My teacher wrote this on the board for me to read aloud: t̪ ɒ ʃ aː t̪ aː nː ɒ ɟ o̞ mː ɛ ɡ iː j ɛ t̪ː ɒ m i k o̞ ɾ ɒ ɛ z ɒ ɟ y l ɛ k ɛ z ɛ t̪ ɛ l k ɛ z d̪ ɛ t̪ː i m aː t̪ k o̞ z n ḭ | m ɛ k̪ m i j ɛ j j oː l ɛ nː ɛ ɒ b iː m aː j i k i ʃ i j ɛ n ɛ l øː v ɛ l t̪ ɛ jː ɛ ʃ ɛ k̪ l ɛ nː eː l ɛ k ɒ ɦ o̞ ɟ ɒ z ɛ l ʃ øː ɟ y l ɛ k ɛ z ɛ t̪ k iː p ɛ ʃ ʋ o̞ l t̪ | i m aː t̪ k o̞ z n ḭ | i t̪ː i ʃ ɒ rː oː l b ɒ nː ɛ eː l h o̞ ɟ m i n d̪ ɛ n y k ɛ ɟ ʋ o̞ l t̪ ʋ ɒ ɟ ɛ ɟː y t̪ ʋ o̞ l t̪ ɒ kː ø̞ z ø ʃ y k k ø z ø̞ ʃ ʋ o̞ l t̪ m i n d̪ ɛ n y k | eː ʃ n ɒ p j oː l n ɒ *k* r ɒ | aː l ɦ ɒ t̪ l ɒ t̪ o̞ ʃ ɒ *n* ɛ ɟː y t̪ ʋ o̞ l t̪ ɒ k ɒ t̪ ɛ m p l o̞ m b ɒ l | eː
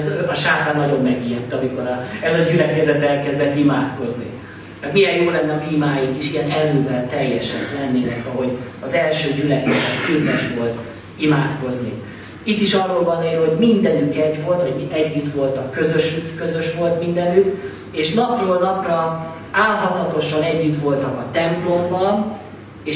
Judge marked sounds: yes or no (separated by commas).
no, yes